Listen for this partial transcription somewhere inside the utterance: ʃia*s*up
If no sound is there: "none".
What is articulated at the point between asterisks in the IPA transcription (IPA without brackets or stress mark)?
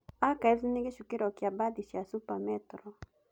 s